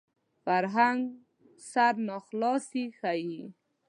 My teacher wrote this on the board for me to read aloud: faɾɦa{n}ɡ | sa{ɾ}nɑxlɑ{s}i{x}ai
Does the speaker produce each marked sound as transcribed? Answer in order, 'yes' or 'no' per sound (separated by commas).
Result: no, yes, yes, yes